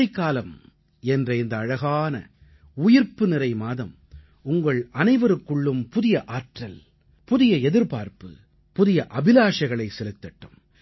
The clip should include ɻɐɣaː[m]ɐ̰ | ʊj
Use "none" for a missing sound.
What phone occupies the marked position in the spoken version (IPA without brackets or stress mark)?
n